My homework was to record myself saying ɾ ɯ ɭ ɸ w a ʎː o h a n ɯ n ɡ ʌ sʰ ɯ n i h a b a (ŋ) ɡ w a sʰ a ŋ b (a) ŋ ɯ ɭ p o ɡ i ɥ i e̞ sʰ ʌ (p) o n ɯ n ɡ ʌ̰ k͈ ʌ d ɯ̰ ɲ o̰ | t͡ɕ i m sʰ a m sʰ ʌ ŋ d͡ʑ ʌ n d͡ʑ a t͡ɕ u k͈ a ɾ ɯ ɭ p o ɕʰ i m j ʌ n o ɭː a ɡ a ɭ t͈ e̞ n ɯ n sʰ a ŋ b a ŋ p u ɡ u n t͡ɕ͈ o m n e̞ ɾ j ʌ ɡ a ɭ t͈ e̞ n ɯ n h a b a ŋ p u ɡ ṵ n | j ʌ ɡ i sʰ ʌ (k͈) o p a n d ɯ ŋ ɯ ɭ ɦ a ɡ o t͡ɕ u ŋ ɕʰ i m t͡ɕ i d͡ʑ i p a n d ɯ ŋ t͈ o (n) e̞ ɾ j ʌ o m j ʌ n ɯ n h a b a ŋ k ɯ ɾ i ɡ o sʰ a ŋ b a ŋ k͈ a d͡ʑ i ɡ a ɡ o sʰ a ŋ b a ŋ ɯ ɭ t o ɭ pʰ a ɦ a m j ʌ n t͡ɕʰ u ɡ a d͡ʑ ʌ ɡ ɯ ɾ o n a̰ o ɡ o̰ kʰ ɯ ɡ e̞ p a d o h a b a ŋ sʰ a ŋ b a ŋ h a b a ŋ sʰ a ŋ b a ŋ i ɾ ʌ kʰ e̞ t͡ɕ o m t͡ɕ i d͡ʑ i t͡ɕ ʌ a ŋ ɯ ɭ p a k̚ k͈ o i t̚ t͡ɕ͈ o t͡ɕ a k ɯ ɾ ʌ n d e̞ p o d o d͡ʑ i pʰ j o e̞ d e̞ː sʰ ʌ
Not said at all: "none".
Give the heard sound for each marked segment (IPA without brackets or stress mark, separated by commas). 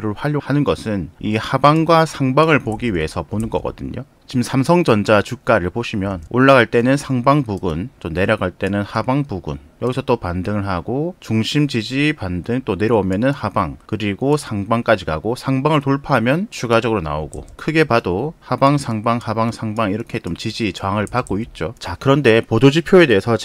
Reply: ŋ, a, p, t͈, n